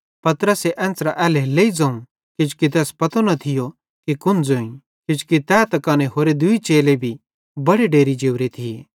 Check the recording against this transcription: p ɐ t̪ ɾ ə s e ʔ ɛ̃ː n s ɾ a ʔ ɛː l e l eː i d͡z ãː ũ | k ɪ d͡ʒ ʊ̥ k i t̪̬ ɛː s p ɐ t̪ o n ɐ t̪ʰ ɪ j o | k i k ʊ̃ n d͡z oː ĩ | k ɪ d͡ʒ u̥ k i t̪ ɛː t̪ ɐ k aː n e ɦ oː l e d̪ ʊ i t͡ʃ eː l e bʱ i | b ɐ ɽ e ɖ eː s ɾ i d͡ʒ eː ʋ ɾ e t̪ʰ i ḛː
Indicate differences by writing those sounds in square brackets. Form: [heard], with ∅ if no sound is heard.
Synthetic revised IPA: p ɐ t̪ ɾ ə s e ʔ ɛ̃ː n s ɾ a ʔ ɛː l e l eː i d͡z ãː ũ | k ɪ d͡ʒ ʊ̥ k i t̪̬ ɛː s p ɐ t̪ o n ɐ t̪ʰ ɪ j o | k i k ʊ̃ n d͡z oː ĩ | k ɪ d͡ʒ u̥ k i t̪ ɛː t̪ ɐ k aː n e ɦ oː [ɾ] e d̪ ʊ i t͡ʃ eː l e bʱ i | b ɐ ɽ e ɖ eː [∅] ɾ i d͡ʒ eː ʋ ɾ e t̪ʰ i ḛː